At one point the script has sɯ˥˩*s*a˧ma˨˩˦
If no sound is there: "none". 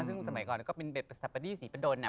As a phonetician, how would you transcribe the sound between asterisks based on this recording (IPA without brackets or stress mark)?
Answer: s